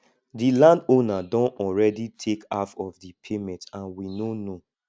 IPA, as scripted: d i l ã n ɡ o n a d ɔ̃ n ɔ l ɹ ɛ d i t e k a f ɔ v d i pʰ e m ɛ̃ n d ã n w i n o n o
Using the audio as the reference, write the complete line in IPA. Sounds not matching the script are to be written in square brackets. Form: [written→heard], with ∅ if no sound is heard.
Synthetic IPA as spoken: d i l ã n [ɡ→d] o n a d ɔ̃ n ɔ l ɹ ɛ d i [t→tʰ] e k a f ɔ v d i pʰ e m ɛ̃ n [d→t] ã n w i n o n o